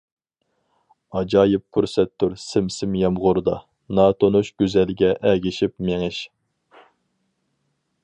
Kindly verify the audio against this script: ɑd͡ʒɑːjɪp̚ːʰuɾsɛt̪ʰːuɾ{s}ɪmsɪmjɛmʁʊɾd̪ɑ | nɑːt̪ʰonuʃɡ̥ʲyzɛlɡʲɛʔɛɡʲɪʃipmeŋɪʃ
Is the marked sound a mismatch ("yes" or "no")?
no